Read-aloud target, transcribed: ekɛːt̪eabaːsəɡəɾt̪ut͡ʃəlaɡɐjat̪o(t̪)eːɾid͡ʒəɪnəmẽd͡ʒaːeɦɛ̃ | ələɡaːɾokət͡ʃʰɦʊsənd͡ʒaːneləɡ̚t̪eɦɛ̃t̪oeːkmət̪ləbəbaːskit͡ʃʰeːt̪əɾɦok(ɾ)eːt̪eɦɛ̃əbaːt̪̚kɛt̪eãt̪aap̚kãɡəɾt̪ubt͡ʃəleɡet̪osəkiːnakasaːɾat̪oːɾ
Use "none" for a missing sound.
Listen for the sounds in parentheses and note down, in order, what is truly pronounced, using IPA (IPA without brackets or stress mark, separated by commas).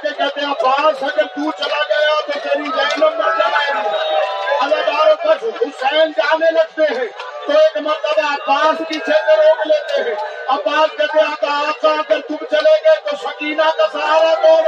t̪, l